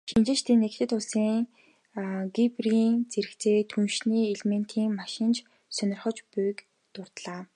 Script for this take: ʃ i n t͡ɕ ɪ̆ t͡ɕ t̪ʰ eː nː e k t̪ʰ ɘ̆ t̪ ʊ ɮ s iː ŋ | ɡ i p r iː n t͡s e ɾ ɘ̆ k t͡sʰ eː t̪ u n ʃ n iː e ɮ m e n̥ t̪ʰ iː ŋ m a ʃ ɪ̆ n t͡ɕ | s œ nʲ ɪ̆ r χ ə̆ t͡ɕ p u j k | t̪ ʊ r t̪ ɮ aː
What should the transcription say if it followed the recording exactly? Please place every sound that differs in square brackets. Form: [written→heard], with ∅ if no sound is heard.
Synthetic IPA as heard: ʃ i n t͡ɕ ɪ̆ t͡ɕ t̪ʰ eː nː e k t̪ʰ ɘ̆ t̪ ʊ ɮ s iː ŋ | ɡ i p r iː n t͡s e ɾ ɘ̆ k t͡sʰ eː [t̪→t̪ʰ] u n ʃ n iː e ɮ m e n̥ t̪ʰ iː ŋ m a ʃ ɪ̆ n t͡ɕ | s œ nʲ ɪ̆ r χ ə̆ t͡ɕ p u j k | t̪ ʊ r t̪ ɮ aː